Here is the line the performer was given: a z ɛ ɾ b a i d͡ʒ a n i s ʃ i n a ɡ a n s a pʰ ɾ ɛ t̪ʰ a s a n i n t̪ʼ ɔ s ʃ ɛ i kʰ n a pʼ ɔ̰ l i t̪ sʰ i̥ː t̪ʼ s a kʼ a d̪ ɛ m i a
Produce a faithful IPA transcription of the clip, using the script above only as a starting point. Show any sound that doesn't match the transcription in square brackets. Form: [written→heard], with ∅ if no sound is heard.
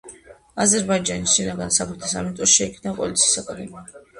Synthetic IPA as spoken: a z ɛ ɾ b a i d͡ʒ a n i s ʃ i n a ɡ a n s a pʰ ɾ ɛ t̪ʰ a s a [n→m] i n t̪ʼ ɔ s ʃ ɛ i kʰ n a pʼ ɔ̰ l i t̪ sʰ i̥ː [t̪ʼ→∅] s a kʼ a d̪ ɛ m i a